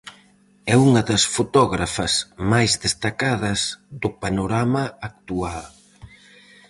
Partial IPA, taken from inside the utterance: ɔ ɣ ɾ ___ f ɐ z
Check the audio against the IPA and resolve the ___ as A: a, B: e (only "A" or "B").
A